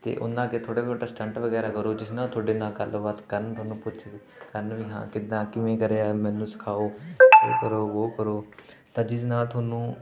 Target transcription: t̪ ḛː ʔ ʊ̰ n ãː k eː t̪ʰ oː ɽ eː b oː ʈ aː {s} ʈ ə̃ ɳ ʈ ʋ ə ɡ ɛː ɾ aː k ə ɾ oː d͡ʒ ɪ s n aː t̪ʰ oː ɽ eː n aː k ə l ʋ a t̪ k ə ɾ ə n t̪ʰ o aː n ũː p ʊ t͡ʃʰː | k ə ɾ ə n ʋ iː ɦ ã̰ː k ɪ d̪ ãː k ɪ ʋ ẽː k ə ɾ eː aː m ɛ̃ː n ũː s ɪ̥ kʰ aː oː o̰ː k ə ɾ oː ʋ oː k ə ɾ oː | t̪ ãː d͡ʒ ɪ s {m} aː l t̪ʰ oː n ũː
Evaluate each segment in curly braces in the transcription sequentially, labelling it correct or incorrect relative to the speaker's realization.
correct, incorrect: n

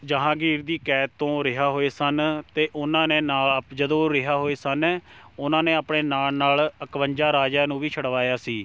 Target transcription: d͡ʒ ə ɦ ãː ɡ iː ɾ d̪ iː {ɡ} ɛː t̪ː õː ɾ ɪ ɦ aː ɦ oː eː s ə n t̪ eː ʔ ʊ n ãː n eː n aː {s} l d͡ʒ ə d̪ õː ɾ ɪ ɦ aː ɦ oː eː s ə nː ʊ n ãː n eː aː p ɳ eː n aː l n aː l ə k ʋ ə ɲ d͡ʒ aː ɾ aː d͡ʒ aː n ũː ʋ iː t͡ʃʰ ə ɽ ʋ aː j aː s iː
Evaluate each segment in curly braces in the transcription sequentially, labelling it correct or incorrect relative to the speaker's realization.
incorrect: k, incorrect: none

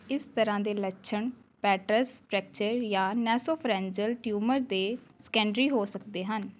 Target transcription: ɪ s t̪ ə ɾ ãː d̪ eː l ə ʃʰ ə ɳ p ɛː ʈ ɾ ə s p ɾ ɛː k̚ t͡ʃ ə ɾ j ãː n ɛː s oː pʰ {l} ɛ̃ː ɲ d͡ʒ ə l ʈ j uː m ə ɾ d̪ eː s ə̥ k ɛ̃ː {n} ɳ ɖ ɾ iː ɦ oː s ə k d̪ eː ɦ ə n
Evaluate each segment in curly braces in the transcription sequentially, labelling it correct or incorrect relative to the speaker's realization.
incorrect: ɾ, incorrect: none

